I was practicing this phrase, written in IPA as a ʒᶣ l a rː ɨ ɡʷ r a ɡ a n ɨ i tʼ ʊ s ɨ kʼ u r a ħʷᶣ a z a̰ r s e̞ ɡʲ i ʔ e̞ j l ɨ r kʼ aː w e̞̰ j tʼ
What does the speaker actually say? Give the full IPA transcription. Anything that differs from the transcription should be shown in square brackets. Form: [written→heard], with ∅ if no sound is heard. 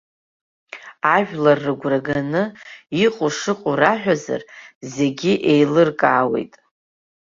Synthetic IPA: a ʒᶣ l a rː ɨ ɡʷ r a ɡ a n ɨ i [tʼ→qʼ] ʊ [s→ʂ] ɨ [kʼ→qʼ] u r a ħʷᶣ a z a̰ r [s→z] e̞ ɡʲ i ʔ e̞ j l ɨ r kʼ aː w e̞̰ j tʼ